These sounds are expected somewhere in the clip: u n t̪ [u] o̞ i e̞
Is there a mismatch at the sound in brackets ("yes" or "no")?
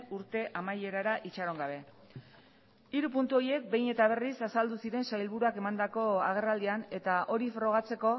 no